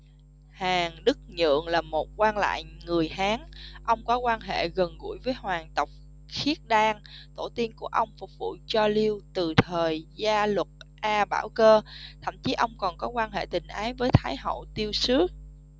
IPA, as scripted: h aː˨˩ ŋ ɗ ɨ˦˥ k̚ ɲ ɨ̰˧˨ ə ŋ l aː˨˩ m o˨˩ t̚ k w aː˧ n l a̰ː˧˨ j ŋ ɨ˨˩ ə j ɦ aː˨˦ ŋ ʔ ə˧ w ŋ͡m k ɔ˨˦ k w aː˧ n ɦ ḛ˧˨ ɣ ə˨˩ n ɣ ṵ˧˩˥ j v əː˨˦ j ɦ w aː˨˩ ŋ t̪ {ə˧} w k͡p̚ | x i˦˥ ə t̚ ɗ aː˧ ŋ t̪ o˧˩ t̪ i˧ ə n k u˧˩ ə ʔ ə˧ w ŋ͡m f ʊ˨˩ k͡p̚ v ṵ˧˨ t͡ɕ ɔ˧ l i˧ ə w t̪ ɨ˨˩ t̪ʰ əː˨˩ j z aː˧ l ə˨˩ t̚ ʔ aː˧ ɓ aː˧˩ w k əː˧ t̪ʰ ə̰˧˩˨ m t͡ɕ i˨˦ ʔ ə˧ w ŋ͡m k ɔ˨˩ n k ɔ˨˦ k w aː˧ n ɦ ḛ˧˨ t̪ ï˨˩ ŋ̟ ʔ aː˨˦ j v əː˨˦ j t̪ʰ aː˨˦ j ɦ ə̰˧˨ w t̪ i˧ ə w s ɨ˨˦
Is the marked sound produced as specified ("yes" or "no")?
no